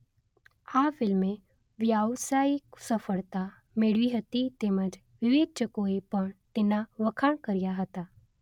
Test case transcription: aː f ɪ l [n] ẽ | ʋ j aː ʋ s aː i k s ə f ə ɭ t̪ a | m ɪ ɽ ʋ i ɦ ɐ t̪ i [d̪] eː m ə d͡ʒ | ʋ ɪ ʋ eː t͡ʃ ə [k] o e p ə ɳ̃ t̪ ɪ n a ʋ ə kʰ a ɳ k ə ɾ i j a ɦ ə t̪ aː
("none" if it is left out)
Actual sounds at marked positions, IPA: m, t̪, k

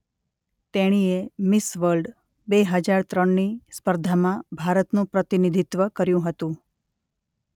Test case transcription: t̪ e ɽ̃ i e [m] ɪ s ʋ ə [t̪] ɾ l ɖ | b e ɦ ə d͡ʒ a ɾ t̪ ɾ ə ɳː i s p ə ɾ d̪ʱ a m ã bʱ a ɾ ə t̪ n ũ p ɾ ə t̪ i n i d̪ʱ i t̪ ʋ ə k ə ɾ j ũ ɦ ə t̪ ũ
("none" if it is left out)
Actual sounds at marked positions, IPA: m, none

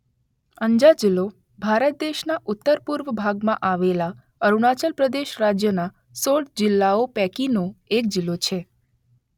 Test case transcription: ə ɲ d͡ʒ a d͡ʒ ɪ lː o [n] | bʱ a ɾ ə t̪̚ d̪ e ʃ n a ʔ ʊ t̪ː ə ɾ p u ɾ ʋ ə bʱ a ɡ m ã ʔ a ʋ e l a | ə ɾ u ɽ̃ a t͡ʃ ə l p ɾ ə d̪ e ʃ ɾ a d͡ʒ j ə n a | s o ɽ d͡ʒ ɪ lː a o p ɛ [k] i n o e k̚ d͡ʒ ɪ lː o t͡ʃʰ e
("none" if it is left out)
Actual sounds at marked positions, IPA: none, k

